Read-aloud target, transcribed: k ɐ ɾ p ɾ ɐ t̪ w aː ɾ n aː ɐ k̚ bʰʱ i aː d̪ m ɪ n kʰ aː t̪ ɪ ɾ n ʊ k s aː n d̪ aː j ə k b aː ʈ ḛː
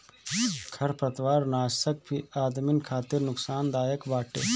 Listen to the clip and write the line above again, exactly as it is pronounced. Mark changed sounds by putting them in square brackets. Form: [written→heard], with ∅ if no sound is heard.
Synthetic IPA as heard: [k→kʰ] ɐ ɾ p ɾ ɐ t̪ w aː ɾ n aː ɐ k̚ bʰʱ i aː d̪ m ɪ n kʰ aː t̪ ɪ ɾ n ʊ k s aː n d̪ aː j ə k b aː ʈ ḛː